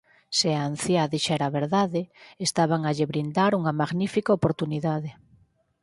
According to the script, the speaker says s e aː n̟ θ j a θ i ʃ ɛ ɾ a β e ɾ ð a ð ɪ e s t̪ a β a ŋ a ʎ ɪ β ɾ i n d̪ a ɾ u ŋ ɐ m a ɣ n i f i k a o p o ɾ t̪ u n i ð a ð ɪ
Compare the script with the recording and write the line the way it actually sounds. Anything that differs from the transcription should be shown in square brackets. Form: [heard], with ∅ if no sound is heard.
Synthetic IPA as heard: s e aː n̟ θ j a [ð] i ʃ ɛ ɾ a β e ɾ ð a ð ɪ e s t̪ a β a ŋ a ʎ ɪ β ɾ i n d̪ a ɾ u ŋ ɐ m a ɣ n i f i k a o p o ɾ t̪ u n i ð a ð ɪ